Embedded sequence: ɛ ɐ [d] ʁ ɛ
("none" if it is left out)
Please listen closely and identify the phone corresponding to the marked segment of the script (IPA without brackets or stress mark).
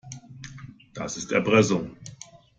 b